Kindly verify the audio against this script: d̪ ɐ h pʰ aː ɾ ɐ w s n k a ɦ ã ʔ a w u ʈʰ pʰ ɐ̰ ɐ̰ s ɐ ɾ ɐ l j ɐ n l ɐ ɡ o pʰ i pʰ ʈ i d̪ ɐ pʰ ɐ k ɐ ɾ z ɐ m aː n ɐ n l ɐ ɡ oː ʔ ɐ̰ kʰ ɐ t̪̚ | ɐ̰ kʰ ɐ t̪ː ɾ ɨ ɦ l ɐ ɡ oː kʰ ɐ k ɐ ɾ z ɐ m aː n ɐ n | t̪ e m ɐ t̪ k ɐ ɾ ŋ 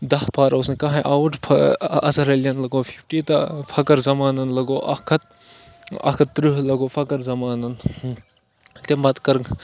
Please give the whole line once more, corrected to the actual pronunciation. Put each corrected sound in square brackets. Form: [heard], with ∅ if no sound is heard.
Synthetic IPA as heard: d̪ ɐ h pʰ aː ɾ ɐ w s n k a ɦ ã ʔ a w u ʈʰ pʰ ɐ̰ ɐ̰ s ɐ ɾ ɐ l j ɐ n l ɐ ɡ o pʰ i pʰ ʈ i [t̪] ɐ pʰ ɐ k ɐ ɾ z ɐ m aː n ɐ n l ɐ ɡ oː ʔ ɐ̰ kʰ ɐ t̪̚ | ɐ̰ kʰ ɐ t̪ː ɾ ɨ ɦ l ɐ ɡ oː [pʰ] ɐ k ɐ ɾ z ɐ m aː n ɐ n | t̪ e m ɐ t̪ k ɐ ɾ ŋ